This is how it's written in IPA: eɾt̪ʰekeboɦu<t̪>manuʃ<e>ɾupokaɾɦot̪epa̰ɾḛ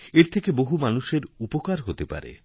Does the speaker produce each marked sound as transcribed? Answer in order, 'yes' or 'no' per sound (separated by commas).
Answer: no, yes